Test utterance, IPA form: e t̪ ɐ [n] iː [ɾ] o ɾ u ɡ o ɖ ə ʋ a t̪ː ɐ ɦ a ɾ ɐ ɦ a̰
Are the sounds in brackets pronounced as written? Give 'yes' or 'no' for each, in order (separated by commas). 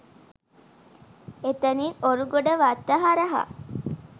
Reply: yes, no